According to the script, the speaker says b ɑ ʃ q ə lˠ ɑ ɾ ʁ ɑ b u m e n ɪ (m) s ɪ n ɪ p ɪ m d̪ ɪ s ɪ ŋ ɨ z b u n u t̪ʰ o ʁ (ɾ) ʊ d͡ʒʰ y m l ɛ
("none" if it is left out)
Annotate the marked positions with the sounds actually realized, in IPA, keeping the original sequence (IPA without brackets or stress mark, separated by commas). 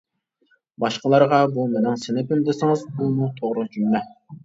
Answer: ŋ, ɾ